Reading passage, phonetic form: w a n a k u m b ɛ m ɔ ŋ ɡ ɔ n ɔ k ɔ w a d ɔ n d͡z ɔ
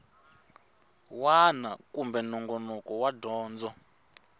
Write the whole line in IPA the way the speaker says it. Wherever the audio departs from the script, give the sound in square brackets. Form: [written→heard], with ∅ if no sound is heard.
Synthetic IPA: w a n a k u m b ɛ [m→n] ɔ ŋ ɡ ɔ n ɔ k ɔ w a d [ɔ→ɔː] n d͡z ɔ